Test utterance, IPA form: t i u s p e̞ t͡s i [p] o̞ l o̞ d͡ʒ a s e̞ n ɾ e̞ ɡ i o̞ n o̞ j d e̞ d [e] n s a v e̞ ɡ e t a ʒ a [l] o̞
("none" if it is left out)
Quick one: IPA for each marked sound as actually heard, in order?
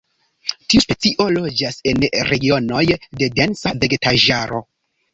ʔ, e, ɾ

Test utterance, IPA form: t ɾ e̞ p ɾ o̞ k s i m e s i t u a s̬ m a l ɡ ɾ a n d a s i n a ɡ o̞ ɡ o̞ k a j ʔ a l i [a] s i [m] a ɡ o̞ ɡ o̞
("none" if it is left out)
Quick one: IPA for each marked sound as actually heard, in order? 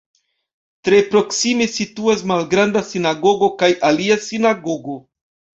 a, n

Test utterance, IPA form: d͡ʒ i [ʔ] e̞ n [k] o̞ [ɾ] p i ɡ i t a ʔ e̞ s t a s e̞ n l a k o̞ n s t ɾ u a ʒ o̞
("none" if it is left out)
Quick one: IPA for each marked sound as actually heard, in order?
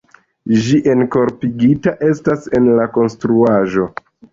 ʔ, k, ɾ

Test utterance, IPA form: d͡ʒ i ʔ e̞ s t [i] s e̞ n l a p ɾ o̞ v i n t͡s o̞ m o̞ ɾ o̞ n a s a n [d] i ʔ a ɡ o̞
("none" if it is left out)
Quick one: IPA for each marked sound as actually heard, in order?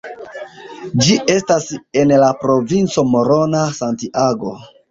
a, t

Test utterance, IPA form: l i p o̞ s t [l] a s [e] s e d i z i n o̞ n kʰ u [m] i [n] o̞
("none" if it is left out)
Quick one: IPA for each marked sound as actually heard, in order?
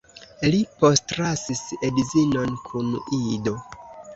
ɾ, i, n, d

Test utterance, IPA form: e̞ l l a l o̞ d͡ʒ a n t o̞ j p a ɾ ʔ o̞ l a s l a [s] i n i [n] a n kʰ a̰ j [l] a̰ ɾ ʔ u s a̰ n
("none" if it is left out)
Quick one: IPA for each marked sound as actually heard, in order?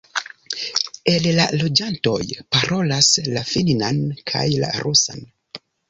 f, n, l

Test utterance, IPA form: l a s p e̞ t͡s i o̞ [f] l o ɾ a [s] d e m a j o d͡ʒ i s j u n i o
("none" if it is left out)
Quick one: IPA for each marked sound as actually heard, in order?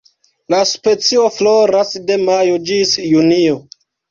f, s

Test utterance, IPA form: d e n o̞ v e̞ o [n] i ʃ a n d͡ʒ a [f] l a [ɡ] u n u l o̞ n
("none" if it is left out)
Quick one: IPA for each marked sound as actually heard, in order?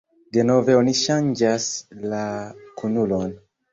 n, s, k

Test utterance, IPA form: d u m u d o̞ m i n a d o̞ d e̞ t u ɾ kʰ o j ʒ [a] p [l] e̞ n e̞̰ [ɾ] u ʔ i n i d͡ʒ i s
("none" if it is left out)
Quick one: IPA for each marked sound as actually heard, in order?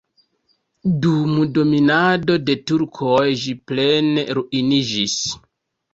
i, l, ɾ

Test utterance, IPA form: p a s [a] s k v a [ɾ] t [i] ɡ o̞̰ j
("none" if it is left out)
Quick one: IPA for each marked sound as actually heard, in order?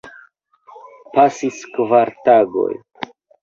i, ɾ, a

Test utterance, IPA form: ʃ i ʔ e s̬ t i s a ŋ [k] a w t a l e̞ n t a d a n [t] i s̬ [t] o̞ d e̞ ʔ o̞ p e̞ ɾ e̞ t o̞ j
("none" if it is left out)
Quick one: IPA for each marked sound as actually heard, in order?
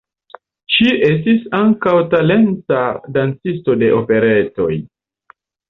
k, t͡s, t

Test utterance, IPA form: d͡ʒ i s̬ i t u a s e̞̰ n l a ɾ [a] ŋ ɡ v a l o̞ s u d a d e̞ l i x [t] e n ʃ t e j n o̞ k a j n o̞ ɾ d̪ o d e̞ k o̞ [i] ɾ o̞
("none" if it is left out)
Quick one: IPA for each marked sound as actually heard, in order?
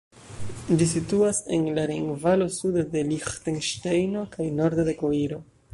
i, t, i

